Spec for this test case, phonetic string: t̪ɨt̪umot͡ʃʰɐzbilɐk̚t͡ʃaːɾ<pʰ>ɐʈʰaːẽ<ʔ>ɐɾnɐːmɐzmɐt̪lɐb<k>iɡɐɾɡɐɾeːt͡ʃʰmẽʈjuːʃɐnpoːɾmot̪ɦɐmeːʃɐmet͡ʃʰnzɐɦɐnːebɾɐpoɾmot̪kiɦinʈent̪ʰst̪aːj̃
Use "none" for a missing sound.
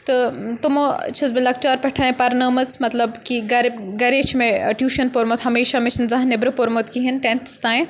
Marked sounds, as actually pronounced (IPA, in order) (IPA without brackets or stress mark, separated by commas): p, p, k